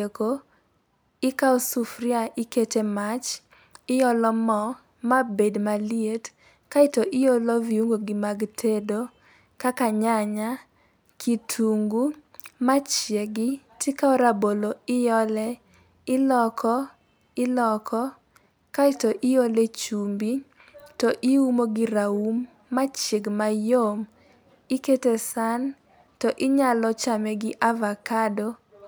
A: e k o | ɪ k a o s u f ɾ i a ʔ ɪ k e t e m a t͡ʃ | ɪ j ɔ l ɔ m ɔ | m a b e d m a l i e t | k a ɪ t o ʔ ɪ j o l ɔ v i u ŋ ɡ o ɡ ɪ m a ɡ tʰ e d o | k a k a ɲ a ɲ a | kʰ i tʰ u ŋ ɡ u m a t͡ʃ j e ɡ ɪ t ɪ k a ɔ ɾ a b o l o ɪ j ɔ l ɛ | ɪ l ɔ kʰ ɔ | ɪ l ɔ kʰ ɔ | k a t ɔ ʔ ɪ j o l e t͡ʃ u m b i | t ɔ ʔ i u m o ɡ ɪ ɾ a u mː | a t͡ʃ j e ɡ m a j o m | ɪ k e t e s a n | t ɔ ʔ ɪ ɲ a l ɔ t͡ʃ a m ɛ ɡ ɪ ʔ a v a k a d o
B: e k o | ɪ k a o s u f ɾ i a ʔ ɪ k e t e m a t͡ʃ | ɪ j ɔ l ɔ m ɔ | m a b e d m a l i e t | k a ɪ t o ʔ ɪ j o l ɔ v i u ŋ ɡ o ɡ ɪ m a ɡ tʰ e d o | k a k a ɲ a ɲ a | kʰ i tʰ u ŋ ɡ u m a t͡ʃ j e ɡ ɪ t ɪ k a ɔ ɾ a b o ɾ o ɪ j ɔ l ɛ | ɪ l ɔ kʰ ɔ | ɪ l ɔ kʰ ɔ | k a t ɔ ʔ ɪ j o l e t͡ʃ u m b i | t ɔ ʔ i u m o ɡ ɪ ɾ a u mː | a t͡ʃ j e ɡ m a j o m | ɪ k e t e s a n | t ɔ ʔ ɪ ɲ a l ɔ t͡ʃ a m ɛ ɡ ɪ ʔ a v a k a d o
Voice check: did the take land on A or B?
A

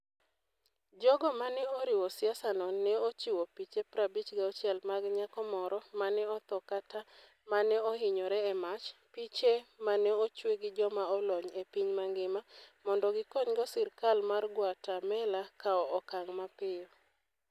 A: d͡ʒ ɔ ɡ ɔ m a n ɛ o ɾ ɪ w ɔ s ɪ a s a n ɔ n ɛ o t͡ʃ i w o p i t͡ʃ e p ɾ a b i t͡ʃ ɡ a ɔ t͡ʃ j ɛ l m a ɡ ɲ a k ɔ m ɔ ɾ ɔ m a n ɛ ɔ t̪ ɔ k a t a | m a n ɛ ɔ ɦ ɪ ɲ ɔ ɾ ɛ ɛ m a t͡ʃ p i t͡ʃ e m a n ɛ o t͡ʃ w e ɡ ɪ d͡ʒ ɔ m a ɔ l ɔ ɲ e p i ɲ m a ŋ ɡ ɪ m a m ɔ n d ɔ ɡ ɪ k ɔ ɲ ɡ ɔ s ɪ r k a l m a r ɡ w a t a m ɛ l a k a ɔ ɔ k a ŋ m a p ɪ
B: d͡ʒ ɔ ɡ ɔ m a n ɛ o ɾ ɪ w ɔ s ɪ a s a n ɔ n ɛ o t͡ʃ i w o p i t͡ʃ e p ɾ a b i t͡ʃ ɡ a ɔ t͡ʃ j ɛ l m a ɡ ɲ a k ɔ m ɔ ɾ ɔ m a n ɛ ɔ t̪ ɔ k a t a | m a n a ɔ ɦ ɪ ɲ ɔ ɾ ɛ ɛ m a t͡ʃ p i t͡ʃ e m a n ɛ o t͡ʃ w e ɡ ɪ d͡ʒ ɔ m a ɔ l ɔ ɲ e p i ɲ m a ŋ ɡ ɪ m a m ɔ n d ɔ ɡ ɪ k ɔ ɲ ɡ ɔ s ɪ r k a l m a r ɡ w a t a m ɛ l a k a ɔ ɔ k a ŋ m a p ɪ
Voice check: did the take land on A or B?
A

